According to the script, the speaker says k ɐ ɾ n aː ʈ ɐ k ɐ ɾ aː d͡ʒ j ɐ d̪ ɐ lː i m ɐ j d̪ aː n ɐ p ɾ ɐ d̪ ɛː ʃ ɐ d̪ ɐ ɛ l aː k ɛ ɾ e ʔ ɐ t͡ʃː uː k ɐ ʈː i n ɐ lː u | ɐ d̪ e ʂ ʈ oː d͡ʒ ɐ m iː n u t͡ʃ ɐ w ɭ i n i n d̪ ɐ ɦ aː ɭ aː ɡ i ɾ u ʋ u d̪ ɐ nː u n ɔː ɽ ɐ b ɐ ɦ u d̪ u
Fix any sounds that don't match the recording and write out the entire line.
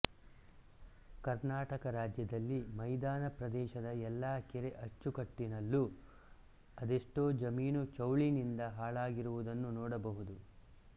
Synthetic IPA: k ɐ ɾ n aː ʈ ɐ k ɐ ɾ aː d͡ʒ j ɐ d̪ ɐ lː i m ɐ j d̪ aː n ɐ p ɾ ɐ d̪ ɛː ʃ ɐ d̪ ɐ ɛ lː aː k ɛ ɾ e ʔ ɐ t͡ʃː u k ɐ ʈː i n ɐ lː u | ɐ d̪ e ʂ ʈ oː d͡ʒ ɐ m iː n u t͡ʃ ɐ w ɭ i n i n d̪ ɐ ɦ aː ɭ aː ɡ i ɾ u ʋ u d̪ ɐ nː u n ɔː ɽ ɐ b ɐ ɦ u d̪ u

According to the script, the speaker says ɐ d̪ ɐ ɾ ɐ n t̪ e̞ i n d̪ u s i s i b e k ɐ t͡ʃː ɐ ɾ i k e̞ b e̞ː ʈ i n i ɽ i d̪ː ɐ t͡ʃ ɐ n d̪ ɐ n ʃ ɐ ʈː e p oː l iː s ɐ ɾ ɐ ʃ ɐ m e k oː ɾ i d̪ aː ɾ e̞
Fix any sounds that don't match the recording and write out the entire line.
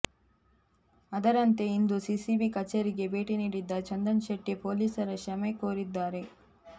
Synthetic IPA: ɐ d̪ ɐ ɾ ɐ n t̪ e̞ i n d̪ u s i s i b i k ɐ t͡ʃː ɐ ɾ i ɡ e̞ b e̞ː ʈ i n iː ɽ i d̪ː ɐ t͡ʃ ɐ n d̪ ɐ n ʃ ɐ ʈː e p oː l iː s ɐ ɾ ɐ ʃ ɐ m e k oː ɾ i d̪ː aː ɾ e̞

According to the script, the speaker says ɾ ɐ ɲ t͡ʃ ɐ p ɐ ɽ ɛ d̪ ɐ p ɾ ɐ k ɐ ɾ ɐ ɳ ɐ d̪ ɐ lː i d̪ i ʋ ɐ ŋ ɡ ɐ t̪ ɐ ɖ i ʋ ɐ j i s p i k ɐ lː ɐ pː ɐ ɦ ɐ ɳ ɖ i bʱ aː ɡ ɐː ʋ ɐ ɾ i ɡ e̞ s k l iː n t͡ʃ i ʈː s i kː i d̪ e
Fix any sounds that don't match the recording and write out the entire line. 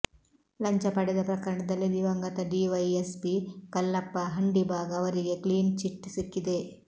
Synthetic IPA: l ɐ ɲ t͡ʃ ɐ p ɐ ɽ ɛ d̪ ɐ p ɾ ɐ k ɐ ɾ ɐ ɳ ɐ d̪ ɐ lː i d̪ i ʋ ɐ ŋ ɡ ɐ t̪ ɐ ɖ i ʋ ɐ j e s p i k ɐ lː ɐ pː ɐ ɦ ɐ ɳ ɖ i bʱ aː ɡ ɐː ʋ ɐ ɾ i ɡ e̞ k l iː n t͡ʃ i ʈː s i kː i d̪ e

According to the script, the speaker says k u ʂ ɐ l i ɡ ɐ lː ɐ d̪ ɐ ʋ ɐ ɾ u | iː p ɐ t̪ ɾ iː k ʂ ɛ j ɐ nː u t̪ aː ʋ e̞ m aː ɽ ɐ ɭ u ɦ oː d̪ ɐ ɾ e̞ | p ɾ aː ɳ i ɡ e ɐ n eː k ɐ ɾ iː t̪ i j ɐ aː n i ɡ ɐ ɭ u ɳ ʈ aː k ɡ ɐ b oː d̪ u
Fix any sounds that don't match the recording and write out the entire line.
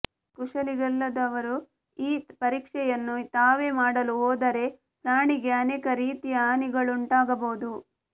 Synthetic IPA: k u ʂ ɐ l i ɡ ɐ lː ɐ d̪ ɐ ʋ ɐ ɾ u | iː p ɐ ɾ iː k ʂ ɛ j ɐ nː u t̪ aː ʋ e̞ m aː ɽ ɐ l u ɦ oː d̪ ɐ ɾ e̞ | p ɾ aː ɳ i ɡ e ɐ n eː k ɐ ɾ iː t̪ i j ɐ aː n i ɡ ɐ ɭ u ɳ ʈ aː ɡ ɐ b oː d̪ u

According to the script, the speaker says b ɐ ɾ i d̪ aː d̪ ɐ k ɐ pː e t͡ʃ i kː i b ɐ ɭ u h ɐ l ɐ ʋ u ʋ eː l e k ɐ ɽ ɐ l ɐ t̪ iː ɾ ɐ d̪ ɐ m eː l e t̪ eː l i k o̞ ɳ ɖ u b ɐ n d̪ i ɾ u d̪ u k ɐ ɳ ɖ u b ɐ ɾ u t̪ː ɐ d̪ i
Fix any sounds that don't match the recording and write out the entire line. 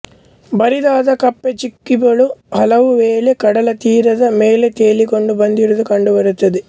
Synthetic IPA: b ɐ ɾ i d̪ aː d̪ ɐ k ɐ pː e t͡ʃ i kː i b ɐ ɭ u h ɐ l ɐ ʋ u ʋ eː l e k ɐ ɽ ɐ l ɐ t̪ iː ɾ ɐ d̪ ɐ m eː l e t̪ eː l i k o̞ ɳ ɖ u b ɐ n d̪ i ɾ u d̪ u k ɐ ɳ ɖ u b ɐ ɾ u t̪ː ɐ d̪ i

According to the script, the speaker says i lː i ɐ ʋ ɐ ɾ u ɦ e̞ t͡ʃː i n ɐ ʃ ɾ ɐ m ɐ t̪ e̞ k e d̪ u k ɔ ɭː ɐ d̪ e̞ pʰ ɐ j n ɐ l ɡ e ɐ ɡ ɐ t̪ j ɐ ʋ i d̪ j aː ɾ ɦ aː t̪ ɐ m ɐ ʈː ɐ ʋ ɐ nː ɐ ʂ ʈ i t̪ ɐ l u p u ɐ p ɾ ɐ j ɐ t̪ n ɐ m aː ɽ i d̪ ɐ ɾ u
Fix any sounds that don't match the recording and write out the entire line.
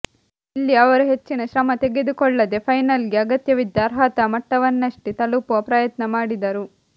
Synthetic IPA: i lː i ɐ ʋ ɐ ɾ u ɦ e̞ t͡ʃː i n ɐ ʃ ɾ ɐ m ɐ t̪ e̞ ɡ e d̪ u k ɔ ɭː ɐ d̪ e̞ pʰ ɐ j n ɐ l ɡ e ɐ ɡ ɐ t̪ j ɐ ʋ i d̪ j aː ɾ ɦ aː t̪ ɐ m ɐ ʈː ɐ ʋ ɐ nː ɐ ʂ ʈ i t̪ ɐ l u p u ɐ p ɾ ɐ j ɐ t̪ n ɐ m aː ɽ i d̪ ɐ ɾ u

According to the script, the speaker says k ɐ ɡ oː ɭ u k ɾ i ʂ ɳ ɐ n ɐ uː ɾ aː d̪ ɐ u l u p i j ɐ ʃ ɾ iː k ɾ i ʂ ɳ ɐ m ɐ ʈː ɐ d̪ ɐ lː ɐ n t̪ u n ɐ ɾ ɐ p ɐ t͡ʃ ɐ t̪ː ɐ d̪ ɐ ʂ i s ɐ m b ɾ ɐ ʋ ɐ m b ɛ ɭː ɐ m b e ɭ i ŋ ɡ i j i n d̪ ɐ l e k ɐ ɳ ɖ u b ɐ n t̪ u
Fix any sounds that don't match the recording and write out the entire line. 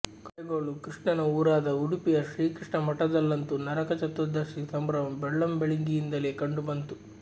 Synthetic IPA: k ɐ ɡ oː ɭ u k ɾ i ʂ ɳ ɐ n ɐ uː ɾ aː d̪ ɐ u ɽ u p i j ɐ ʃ ɾ iː k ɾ i ʂ ɳ ɐ m ɐ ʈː ɐ d̪ ɐ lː ɐ n t̪ u n ɐ ɾ ɐ k ɐ t͡ʃ ɐ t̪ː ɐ d̪ ɐ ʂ i s ɐ m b ɾ ɐ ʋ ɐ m b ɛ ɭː ɐ m b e ɭ i ŋ ɡ i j i n d̪ ɐ l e k ɐ ɳ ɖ u b ɐ n t̪ u

